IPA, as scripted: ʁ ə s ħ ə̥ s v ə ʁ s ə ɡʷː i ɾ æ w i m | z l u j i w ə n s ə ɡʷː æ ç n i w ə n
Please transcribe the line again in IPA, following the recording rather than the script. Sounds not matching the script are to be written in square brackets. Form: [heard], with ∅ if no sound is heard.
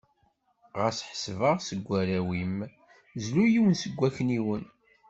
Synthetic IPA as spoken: ʁ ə s ħ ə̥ s v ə ʁ s ə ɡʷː [æ] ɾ æ w i m | z l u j i w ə n s ə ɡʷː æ ç n i w ə n